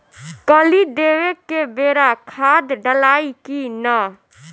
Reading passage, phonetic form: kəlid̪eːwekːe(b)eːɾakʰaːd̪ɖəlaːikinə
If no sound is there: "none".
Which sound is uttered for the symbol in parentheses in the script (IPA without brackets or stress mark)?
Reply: b